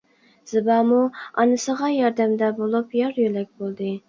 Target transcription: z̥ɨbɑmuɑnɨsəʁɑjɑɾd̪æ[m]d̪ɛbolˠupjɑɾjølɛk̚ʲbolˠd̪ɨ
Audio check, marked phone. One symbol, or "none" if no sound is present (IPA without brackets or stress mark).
m